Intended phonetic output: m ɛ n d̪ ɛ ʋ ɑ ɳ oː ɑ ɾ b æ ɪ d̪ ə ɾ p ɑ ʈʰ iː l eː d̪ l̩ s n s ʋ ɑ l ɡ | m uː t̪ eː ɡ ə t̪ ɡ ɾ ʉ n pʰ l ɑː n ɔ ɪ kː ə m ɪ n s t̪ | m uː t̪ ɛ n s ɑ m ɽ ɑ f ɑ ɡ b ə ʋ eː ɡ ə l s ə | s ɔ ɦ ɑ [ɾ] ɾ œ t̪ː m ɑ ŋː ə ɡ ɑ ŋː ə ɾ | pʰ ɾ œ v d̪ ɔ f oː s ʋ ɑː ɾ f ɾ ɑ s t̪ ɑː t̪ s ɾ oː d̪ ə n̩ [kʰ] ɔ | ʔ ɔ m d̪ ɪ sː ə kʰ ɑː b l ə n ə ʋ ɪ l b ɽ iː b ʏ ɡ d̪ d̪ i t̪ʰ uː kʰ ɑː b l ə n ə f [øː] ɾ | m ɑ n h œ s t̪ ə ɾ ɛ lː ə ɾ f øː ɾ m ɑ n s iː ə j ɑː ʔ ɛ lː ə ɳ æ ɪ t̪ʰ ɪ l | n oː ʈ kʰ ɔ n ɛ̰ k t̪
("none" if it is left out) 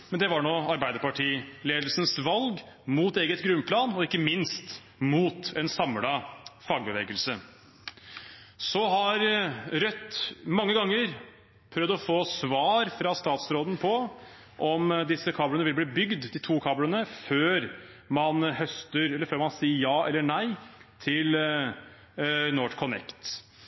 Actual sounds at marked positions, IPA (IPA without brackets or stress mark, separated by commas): ɾ, pʰ, øː